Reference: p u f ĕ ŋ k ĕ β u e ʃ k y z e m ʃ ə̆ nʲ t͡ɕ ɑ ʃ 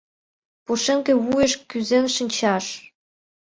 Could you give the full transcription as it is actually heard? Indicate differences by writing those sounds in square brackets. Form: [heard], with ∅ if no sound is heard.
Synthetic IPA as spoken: p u [ʃ] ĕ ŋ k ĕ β u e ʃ k y z e [n] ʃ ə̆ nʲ t͡ɕ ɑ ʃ